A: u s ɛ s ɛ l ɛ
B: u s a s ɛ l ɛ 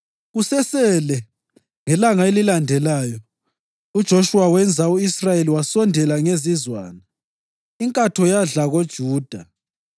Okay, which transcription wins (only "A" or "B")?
A